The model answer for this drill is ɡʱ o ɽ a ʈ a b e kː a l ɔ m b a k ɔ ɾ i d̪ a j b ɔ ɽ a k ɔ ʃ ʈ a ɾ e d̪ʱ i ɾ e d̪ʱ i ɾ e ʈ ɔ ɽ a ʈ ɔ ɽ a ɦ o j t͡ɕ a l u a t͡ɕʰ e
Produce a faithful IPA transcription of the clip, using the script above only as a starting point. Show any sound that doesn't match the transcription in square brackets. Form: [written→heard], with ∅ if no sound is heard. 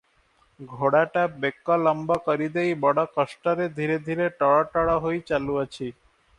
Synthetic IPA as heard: ɡʱ o ɽ a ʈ a b e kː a l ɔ m b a k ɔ ɾ i d̪ [a→e] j b ɔ ɽ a k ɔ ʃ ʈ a ɾ e d̪ʱ i ɾ e d̪ʱ i ɾ e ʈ ɔ ɽ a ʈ ɔ ɽ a ɦ o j t͡ɕ a l u a t͡ɕʰ [e→i]